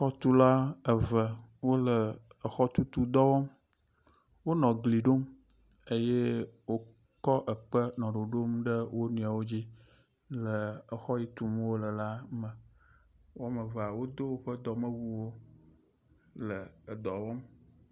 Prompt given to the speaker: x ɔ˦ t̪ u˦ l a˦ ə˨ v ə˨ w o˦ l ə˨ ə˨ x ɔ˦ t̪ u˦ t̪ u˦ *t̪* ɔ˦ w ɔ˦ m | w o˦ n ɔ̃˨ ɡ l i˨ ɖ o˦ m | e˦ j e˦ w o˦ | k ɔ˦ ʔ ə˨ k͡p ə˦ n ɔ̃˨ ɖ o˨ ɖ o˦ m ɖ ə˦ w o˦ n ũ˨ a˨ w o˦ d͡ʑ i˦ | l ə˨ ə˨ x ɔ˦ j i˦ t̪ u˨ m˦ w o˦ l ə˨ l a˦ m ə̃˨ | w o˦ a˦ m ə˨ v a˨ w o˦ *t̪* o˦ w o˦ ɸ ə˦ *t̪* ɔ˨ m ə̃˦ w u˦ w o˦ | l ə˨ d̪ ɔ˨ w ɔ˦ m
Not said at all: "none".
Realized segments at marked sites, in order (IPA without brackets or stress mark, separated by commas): d̪, d̪, d̪